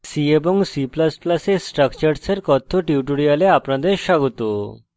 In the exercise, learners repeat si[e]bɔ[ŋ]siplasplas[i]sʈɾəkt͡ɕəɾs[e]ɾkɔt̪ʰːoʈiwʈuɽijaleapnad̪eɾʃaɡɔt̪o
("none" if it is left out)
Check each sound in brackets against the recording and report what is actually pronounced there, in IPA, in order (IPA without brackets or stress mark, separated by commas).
e, ŋ, e, e